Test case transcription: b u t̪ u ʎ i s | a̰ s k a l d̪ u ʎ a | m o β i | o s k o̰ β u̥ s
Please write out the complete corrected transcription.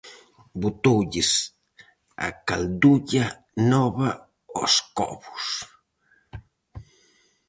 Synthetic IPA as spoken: b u t̪ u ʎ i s | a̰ k a l d̪ u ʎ a | n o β a | o s k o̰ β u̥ s